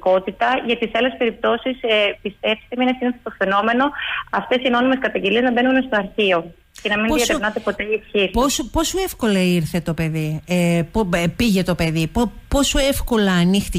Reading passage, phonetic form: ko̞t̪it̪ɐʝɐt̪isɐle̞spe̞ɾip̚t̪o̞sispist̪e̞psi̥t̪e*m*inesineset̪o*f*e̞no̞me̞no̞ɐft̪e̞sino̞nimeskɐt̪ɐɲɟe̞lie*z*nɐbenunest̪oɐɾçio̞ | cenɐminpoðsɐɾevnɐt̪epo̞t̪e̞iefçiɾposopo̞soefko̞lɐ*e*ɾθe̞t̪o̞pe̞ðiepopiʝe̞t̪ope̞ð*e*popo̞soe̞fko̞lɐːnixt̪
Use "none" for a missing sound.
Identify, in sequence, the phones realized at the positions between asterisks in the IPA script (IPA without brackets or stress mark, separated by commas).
m, f, z, i, i